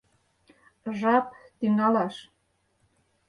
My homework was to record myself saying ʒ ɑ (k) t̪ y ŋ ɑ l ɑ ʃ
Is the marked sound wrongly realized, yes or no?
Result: yes